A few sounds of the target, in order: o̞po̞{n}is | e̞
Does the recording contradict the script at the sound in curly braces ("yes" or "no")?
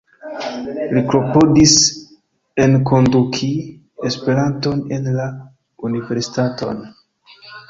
yes